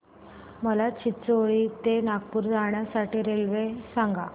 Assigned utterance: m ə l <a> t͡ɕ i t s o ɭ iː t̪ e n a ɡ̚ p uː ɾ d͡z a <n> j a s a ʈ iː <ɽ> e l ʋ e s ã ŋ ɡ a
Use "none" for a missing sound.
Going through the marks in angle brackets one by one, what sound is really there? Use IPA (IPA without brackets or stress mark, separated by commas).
a, ɳ, ɾ